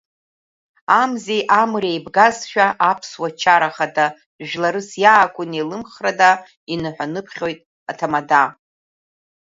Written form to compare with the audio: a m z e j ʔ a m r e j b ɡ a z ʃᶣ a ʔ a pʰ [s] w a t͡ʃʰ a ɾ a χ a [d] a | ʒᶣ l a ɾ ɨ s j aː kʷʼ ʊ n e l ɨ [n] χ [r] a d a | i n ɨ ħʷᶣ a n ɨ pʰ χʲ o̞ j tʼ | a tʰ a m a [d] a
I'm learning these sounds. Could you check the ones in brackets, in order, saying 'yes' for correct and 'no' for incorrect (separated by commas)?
yes, yes, no, yes, yes